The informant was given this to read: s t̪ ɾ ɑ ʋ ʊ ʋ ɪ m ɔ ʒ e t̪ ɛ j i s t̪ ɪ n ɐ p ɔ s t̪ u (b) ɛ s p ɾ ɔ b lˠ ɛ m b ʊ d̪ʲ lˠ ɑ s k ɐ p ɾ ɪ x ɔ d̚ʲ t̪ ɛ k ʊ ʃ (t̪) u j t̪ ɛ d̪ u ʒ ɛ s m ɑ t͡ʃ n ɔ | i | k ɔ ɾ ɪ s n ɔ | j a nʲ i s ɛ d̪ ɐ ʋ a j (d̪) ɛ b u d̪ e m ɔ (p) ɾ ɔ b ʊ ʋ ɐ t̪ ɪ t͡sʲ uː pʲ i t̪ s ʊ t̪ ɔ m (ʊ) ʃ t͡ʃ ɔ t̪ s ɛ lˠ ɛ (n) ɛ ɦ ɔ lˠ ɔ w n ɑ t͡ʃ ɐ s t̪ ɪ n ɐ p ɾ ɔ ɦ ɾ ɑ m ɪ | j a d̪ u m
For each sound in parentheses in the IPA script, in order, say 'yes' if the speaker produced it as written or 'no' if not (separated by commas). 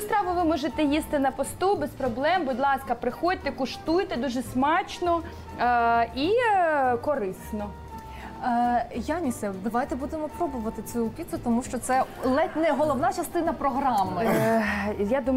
yes, yes, no, yes, no, yes